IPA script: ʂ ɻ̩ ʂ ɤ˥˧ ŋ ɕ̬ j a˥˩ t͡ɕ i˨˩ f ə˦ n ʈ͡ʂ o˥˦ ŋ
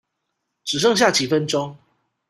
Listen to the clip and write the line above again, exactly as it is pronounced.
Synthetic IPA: ʈ͡ʂ ɻ̩ ʂ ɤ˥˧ ŋ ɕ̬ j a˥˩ t͡ɕ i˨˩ f ə˦ n ʈ͡ʂ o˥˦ ŋ